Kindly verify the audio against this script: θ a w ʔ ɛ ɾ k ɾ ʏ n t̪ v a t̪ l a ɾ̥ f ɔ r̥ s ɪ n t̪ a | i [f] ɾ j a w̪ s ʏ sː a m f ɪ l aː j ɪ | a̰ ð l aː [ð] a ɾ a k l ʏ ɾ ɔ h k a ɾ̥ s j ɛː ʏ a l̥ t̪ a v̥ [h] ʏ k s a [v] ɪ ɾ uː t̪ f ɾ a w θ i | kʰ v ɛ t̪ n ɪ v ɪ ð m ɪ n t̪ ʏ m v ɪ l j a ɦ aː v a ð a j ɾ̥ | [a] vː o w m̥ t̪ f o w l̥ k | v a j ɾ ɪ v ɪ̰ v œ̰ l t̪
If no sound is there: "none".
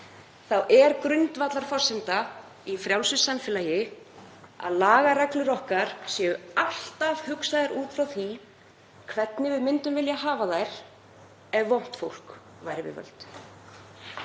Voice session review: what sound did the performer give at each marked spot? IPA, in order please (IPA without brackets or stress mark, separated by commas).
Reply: f, ɣ, h, ð, ɛ